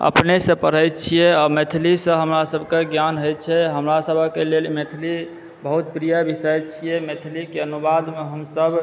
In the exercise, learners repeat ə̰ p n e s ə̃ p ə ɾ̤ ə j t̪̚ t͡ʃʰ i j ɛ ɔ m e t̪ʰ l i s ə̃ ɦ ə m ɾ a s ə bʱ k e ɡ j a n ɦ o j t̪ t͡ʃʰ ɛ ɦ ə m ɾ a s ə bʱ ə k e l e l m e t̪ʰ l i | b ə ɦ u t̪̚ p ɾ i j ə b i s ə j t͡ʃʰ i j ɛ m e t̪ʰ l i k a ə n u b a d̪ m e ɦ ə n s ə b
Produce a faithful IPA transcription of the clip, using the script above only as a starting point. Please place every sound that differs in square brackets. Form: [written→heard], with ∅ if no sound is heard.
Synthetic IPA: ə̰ p n e s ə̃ p ə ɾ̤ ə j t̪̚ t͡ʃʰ i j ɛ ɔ m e t̪ʰ l i s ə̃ ɦ ə m ɾ a s ə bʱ k e ɡ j a n ɦ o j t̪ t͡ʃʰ ɛ ɦ ə m ɾ a s ə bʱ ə k e l e l m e t̪ʰ l i | b ə ɦ u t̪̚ p ɾ i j ə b i s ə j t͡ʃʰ i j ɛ m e t̪ʰ l i k [a→e] ə n u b a d̪ m e ɦ ə [n→m] s ə b